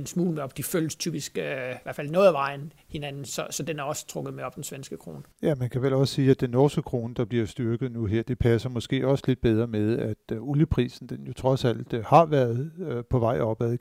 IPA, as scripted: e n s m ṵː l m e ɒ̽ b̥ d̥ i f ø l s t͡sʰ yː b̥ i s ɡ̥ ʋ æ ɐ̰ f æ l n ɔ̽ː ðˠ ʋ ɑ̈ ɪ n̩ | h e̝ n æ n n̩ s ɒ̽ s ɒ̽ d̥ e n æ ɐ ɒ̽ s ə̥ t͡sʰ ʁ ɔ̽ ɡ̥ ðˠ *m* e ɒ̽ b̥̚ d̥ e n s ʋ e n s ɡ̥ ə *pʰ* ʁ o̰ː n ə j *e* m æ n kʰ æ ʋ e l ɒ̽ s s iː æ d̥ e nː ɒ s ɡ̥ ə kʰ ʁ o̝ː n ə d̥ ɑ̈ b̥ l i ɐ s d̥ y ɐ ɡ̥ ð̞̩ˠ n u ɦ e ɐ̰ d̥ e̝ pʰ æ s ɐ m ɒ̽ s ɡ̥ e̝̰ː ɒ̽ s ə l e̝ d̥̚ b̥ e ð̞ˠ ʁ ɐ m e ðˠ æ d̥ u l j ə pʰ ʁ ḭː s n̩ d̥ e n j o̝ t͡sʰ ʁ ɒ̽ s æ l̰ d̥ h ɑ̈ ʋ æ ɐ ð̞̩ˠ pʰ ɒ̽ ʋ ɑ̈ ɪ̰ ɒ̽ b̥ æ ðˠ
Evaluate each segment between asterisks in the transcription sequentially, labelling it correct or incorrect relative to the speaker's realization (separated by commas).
correct, incorrect, incorrect